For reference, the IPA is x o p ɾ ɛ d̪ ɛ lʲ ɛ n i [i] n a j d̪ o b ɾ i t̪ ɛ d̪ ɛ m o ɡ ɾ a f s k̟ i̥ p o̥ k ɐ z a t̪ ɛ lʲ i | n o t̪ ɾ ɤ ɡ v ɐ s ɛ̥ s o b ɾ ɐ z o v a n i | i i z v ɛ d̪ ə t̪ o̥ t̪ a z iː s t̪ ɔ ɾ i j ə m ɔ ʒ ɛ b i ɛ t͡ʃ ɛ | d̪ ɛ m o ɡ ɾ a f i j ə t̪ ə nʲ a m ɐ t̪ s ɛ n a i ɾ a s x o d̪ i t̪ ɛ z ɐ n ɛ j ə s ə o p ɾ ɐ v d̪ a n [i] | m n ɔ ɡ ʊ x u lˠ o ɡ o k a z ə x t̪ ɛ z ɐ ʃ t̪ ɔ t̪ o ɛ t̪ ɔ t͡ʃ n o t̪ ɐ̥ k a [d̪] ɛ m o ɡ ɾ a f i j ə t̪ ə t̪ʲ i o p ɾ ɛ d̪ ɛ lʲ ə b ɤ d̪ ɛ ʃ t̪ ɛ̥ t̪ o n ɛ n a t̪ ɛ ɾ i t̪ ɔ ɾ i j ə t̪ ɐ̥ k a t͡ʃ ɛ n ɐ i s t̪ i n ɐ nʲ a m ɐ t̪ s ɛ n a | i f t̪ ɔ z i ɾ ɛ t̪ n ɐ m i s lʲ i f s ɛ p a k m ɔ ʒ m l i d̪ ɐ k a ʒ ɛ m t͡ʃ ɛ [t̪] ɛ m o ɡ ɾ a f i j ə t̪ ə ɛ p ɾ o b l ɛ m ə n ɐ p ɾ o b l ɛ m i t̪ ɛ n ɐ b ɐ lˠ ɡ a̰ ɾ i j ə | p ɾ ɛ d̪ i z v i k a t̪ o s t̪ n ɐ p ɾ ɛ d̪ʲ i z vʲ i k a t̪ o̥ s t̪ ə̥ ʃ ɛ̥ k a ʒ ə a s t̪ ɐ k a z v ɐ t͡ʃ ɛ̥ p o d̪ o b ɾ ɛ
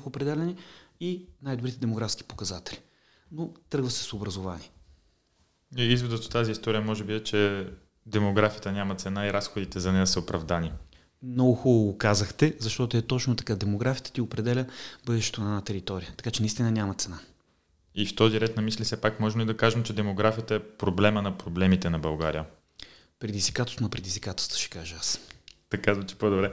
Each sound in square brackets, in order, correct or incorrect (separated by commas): correct, correct, correct, incorrect